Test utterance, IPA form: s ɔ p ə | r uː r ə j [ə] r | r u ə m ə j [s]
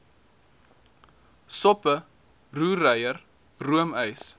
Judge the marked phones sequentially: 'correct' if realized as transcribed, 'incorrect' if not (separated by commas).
correct, correct